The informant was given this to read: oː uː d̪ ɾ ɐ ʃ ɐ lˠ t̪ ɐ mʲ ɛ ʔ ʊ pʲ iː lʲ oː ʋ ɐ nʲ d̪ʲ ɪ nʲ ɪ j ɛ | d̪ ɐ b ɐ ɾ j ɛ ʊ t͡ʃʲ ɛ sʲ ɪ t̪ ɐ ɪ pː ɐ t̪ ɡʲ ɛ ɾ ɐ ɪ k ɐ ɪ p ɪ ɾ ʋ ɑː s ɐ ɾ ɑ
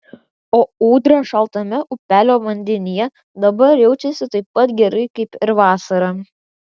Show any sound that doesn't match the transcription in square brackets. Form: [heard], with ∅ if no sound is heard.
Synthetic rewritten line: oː uː d̪ ɾ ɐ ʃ ɐ lˠ t̪ ɐ mʲ ɛ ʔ ʊ pʲ [æː] lʲ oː ʋ ɐ nʲ d̪ʲ ɪ nʲ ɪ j ɛ | d̪ ɐ b ɐ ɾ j ɛ ʊ t͡ʃʲ ɛ sʲ ɪ t̪ ɐ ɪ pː ɐ t̪ ɡʲ ɛ ɾ ɐ ɪ k ɐ ɪ p ɪ ɾ ʋ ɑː s ɐ ɾ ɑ